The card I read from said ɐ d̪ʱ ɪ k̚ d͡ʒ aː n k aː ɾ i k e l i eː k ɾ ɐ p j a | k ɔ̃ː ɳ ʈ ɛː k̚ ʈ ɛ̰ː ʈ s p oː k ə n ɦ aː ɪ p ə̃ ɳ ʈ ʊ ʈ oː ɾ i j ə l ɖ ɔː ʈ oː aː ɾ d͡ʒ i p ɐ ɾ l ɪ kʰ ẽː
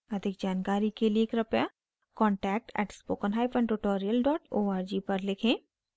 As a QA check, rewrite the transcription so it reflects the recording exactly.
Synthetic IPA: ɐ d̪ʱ ɪ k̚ d͡ʒ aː n k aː ɾ i k e l i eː k ɾ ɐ p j a | k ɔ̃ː ɳ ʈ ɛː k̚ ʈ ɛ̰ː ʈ s p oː k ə n ɦ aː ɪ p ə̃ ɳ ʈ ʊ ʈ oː ɾ i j ə l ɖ ɔː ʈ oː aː ɾ d͡ʒ i p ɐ ɾ l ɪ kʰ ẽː